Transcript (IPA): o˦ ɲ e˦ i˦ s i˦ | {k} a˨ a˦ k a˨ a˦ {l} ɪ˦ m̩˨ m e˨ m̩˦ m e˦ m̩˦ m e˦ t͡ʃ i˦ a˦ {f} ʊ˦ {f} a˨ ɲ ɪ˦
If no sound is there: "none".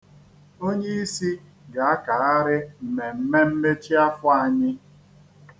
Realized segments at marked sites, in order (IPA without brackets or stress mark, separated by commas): ɡ, ɾ, f, none